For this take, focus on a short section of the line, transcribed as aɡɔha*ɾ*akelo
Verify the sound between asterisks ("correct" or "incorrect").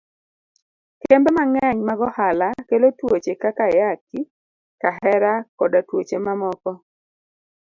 incorrect